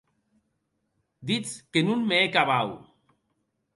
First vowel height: high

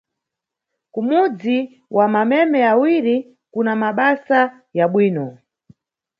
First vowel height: high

